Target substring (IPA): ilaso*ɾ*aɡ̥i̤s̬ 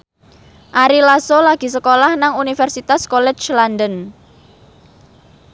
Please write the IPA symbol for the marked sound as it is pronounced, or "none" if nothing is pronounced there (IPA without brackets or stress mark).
l